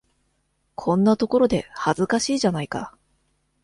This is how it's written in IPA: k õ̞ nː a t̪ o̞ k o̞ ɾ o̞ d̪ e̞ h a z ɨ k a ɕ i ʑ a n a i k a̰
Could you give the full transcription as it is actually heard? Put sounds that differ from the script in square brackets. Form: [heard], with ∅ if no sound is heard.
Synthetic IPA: [kʰ] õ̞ nː a t̪ o̞ k o̞ ɾ o̞ d̪ e̞ h a z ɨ k a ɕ [iː] ʑ a n a i k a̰